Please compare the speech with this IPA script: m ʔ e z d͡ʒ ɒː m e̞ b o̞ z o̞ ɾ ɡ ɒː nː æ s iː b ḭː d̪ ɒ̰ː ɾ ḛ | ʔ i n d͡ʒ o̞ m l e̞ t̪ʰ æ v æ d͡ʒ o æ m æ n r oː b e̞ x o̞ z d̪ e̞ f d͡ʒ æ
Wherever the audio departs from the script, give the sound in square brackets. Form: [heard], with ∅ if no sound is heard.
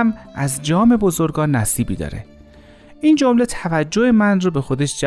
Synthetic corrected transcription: m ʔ [æ] z d͡ʒ ɒː m e̞ b o̞ z o̞ ɾ ɡ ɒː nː æ s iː b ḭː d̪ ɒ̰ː ɾ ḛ | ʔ i n d͡ʒ o̞ m l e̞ t̪ʰ æ v æ [d͡ʒː] o [e] m æ n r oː b e̞ x o̞ [∅] d̪ e̞ [ʃ] d͡ʒ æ